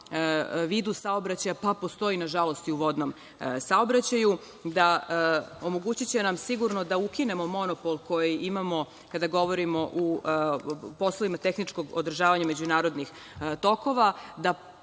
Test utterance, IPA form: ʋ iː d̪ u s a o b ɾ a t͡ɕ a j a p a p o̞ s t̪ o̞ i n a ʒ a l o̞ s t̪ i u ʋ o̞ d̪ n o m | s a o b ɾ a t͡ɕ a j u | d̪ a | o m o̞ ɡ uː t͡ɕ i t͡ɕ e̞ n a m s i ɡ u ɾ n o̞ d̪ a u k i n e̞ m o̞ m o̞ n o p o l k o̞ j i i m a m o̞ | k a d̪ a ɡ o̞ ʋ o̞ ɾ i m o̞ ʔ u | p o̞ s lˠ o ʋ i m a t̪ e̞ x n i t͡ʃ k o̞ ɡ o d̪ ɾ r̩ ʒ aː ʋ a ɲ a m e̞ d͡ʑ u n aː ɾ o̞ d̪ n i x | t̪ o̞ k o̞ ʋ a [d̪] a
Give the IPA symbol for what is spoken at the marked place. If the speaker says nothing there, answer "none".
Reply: d̪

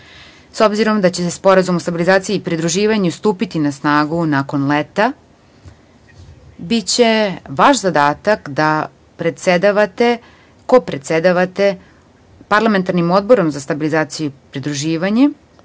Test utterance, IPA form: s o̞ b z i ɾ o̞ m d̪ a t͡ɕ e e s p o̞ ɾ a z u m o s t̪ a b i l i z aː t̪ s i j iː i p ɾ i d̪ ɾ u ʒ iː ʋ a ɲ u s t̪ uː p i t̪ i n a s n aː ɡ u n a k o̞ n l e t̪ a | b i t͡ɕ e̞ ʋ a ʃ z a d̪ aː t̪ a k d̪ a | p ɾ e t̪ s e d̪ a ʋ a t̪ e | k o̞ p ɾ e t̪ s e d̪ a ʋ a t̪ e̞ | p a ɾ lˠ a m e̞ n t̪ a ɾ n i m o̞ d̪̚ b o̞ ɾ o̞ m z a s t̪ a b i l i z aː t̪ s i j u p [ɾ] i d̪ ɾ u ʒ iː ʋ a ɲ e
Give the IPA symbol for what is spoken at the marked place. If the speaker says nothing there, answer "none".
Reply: ɾ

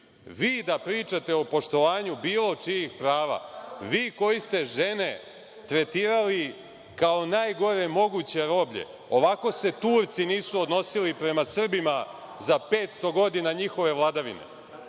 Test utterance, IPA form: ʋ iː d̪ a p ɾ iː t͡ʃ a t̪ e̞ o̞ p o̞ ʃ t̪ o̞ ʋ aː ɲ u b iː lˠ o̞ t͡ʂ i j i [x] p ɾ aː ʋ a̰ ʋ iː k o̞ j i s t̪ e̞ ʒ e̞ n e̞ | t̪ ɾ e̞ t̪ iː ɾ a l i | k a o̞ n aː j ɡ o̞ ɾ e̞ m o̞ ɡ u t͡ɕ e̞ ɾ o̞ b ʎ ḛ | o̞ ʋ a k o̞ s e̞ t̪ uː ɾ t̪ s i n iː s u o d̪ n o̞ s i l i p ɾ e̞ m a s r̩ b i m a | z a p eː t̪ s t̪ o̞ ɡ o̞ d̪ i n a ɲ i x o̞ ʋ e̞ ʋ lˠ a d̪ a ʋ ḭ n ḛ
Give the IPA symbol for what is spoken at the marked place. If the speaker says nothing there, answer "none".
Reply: x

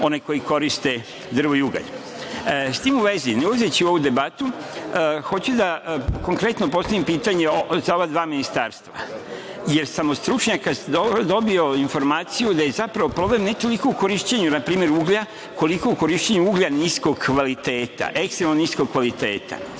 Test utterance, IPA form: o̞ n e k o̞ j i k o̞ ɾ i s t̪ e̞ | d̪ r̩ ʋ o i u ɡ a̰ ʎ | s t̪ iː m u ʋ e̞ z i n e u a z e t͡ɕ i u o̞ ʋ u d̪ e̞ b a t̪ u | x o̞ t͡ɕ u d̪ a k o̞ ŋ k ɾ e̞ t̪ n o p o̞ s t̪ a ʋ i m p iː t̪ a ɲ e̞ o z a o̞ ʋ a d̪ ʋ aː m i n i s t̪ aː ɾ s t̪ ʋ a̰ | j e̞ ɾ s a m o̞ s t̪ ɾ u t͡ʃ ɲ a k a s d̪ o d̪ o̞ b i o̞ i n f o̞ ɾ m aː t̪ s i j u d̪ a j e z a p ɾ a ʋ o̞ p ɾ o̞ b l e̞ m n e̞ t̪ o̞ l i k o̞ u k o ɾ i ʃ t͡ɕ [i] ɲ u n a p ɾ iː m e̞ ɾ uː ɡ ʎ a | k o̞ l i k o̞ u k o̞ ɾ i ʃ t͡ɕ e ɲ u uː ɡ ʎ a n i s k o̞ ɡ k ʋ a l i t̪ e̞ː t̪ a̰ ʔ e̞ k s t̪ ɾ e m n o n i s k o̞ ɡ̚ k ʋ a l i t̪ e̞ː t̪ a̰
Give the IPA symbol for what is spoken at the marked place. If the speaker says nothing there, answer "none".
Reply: e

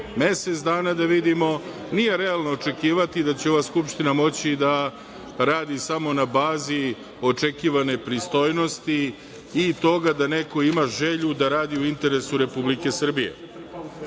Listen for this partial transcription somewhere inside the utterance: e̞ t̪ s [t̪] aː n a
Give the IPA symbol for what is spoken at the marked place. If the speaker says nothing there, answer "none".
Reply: d̪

